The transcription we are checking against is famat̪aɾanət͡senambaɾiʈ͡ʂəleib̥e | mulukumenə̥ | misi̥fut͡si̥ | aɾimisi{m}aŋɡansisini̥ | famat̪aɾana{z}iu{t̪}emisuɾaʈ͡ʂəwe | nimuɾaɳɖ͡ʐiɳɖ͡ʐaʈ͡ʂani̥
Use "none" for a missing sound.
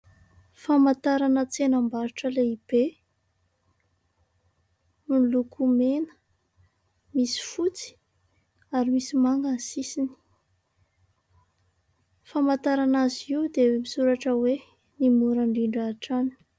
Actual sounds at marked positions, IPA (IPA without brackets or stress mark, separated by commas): m, z, d̪